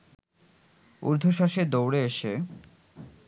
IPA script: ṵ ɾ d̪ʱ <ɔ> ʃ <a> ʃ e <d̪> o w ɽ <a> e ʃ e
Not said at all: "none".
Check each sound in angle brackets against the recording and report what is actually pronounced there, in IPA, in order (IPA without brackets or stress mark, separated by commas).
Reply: o, a, d̪, e